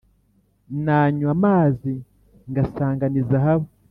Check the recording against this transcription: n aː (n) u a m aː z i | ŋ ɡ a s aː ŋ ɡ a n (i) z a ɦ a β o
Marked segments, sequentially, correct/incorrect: incorrect, correct

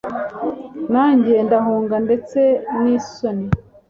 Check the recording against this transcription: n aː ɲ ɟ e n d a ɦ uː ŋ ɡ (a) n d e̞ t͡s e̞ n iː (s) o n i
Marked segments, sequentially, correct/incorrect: correct, correct

